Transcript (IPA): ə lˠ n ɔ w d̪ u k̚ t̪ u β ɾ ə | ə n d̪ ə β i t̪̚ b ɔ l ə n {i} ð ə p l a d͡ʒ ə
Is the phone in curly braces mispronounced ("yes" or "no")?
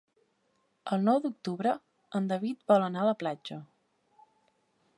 yes